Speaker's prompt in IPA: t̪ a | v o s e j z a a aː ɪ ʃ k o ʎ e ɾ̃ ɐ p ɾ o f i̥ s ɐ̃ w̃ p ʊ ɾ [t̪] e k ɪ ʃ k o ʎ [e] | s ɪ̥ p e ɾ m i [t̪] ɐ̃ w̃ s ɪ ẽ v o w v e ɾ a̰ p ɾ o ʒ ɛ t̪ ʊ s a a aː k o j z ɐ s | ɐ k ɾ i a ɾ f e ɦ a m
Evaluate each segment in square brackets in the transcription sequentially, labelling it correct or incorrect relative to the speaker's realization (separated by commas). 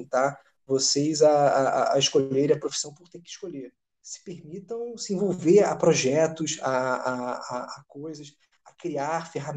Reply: correct, correct, correct